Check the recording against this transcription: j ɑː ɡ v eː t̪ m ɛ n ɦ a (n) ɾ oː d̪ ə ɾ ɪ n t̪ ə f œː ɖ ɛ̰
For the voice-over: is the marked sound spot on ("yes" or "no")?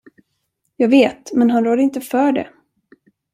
yes